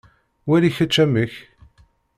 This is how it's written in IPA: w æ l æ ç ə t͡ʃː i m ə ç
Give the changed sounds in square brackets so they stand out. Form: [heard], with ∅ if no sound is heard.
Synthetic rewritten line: w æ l [i] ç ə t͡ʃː [æ] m ə ç

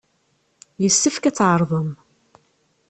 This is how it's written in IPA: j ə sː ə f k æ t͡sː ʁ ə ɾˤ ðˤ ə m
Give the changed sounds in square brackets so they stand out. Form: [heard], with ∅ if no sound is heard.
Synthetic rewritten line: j ə sː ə f k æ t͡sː [ʕ] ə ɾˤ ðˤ ə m

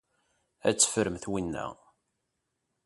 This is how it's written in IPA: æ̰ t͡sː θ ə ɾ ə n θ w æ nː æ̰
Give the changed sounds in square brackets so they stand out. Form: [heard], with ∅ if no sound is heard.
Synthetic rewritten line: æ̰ t͡sː [f] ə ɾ ə [m] θ w [i] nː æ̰

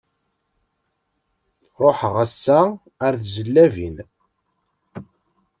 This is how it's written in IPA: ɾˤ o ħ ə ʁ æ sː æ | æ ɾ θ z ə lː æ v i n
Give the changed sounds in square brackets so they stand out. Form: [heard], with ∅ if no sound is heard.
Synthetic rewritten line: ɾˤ o ħ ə ʁ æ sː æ | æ ɾ θ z ə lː æ v i n

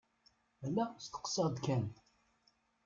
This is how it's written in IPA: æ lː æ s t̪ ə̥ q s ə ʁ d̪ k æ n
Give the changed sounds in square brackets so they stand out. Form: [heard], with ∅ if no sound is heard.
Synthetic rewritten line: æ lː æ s t̪ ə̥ q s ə ʁ d̪ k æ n

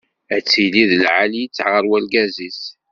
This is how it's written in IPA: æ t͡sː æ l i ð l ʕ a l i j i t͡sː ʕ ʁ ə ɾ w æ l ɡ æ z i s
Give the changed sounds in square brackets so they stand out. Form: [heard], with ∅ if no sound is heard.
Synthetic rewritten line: æ t͡sː [i] l i ð l ʕ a l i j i t͡sː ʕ ʁ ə ɾ w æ l ɡ æ z i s

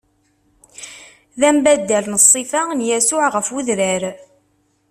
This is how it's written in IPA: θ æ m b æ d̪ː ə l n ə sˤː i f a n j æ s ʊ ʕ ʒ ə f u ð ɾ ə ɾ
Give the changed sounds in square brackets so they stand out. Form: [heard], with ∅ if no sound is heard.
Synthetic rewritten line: [ð] æ m b æ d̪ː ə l n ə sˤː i f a n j æ s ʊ ʕ [ʁ] ə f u ð ɾ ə ɾ

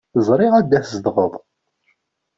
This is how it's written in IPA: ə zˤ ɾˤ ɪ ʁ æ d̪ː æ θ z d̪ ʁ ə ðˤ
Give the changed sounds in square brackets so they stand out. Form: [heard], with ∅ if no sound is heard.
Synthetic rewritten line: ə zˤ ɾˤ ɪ ʁ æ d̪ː æ θ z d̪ ʁ ə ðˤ

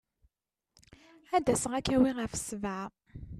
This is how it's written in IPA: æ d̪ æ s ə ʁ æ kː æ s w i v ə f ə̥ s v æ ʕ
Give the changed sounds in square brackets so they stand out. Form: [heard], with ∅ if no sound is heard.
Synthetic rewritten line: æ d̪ æ s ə ʁ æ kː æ [∅] w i [ʁ] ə f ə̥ s v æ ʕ

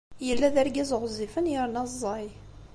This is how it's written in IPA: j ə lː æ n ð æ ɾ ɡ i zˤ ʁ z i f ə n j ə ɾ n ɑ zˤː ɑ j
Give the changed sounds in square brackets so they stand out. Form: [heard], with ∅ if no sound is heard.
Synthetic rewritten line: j ə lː æ [∅] ð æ ɾ ɡ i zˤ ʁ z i f ə n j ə ɾ n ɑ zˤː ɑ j

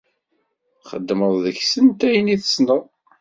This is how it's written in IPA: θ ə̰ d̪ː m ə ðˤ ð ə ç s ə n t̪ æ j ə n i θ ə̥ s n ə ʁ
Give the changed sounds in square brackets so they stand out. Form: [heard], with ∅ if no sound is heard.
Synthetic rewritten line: [χ] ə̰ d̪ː m ə ðˤ ð ə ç s ə n t̪ æ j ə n i θ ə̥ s n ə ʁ

